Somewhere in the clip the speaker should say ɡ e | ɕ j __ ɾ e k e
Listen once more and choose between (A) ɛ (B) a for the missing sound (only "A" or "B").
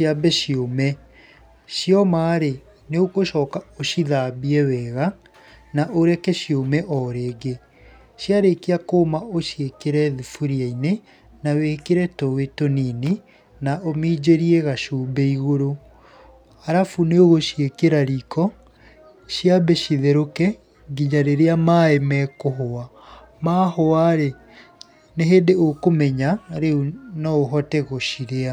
B